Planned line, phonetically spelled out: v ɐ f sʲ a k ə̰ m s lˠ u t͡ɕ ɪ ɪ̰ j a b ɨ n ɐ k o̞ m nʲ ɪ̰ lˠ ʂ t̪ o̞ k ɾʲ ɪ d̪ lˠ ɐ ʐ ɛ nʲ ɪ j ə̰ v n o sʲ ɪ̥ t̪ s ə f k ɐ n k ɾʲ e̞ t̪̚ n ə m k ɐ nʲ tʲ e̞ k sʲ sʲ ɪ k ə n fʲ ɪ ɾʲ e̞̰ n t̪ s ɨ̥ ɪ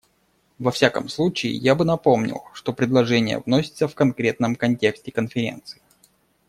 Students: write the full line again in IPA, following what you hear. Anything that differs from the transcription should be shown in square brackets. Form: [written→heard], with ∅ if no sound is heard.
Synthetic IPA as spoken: v ɐ f sʲ a k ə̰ m s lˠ u t͡ɕ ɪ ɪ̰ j a b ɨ n ɐ [k→p] o̞ m nʲ ɪ̰ lˠ ʂ t̪ o̞ [k→p] ɾʲ ɪ d̪ lˠ ɐ ʐ ɛ nʲ ɪ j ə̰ v n o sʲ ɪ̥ t̪ s ə f k ɐ n k ɾʲ e̞ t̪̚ n ə m k ɐ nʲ tʲ e̞ k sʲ [sʲ→tʲ] ɪ k ə n fʲ ɪ ɾʲ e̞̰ n t̪ s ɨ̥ ɪ